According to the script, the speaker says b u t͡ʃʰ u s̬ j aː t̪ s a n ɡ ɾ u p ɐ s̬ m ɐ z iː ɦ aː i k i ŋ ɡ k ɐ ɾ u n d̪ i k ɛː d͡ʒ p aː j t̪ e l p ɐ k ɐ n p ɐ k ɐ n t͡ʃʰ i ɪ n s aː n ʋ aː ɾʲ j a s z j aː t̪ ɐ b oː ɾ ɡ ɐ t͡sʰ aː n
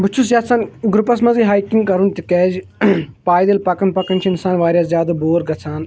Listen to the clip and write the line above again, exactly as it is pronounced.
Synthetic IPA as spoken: b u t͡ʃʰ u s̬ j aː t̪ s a n ɡ ɾ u p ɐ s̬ m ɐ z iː ɦ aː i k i ŋ ɡ k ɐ ɾ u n t̪ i k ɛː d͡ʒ p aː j d̪ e l p ɐ k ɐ n p ɐ k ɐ n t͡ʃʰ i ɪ n s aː n ʋ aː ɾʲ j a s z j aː d̪ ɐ b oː ɾ ɡ ɐ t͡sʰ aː n